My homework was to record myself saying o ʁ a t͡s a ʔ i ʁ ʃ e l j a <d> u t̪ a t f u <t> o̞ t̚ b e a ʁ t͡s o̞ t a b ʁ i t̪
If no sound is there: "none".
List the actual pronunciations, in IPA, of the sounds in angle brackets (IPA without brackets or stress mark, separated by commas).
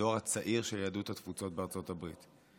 d, t͡s